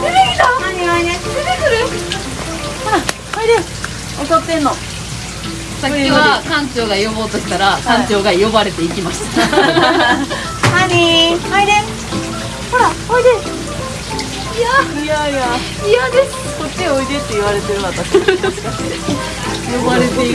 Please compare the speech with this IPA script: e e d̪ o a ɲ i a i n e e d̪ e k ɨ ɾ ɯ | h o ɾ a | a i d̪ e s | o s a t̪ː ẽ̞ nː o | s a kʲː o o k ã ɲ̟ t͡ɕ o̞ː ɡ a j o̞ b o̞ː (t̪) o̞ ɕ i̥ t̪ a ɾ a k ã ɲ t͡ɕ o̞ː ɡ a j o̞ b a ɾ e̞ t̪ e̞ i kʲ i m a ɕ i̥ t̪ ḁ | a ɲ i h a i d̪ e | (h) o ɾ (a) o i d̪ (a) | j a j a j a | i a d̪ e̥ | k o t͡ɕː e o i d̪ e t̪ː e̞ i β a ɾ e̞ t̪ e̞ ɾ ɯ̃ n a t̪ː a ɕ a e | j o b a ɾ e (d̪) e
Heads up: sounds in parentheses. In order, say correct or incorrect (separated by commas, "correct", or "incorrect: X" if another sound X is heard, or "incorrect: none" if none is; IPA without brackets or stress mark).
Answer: correct, correct, correct, incorrect: e, incorrect: t̪